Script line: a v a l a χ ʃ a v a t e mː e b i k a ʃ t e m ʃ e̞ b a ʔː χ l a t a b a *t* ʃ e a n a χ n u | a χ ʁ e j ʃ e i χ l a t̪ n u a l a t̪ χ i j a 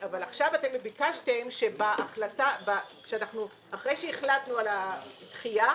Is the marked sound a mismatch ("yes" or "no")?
yes